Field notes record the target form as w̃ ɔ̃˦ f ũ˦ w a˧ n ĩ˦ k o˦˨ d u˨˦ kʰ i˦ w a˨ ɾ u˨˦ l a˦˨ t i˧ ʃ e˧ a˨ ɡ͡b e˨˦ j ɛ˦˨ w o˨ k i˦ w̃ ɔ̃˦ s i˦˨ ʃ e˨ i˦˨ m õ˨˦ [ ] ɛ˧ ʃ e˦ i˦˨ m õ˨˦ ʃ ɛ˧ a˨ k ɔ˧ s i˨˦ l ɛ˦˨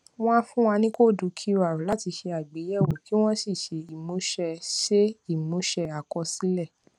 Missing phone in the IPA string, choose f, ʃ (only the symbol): ʃ